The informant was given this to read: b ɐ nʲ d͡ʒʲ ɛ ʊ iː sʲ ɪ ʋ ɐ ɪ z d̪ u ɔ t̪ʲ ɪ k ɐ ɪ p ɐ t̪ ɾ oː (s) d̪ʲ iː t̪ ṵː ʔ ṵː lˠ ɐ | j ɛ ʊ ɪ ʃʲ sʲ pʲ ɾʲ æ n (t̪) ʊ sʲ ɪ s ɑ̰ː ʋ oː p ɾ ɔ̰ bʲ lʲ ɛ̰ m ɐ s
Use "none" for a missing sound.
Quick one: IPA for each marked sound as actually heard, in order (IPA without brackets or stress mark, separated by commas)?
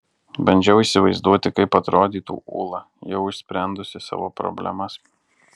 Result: none, d̪